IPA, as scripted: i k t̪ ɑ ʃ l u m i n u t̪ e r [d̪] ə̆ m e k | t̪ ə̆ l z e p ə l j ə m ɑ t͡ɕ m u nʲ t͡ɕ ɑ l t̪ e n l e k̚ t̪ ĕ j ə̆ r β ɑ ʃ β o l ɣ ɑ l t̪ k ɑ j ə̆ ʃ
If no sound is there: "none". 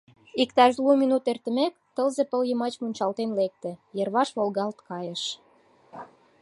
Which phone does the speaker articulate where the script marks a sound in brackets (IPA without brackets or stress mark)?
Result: t̪